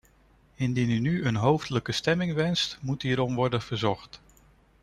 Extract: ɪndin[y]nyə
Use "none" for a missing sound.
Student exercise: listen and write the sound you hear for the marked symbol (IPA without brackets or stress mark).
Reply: y